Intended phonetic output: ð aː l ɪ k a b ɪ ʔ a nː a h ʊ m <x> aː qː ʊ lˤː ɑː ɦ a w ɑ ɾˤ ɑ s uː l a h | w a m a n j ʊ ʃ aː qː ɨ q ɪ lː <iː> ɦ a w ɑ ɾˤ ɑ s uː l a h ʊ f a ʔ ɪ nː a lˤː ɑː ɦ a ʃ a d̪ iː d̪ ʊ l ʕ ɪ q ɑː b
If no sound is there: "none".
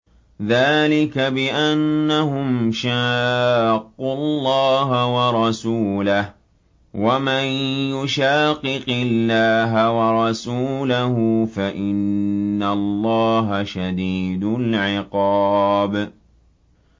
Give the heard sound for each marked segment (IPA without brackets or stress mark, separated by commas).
ʃ, aː